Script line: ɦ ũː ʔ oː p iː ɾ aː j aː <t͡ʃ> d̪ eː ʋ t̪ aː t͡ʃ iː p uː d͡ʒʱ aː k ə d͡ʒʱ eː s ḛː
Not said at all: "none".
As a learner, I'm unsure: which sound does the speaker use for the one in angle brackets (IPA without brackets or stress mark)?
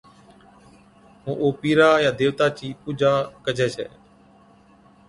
none